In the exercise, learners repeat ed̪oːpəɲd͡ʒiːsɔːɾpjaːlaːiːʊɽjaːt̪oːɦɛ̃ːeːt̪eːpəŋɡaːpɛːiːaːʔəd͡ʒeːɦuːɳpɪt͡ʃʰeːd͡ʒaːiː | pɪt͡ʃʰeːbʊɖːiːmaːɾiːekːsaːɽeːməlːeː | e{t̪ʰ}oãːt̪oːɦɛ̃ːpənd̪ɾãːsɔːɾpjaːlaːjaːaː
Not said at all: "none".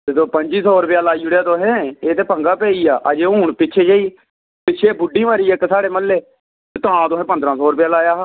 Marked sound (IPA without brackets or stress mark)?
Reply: t̪